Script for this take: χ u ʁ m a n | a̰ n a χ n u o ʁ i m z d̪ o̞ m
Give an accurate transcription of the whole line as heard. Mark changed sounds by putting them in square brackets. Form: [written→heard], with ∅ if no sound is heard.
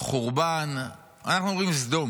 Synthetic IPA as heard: χ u ʁ [m→b] a n | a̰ n a χ n u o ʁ i m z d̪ o̞ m